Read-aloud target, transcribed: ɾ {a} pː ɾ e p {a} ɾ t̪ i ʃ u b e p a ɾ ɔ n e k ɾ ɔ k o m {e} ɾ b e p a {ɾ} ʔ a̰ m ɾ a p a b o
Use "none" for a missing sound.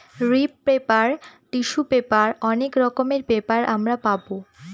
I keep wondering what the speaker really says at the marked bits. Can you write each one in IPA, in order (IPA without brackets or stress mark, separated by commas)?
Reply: i, a, e, ɾ